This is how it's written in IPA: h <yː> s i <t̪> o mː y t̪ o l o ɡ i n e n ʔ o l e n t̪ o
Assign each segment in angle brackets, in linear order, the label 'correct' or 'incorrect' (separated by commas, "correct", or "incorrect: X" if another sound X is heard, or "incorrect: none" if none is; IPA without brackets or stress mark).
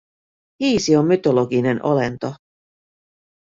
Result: incorrect: iː, incorrect: none